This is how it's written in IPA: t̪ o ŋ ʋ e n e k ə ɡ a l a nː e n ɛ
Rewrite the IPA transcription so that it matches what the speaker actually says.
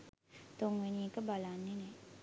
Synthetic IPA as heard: t̪ o ŋ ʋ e n i k ə b a l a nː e n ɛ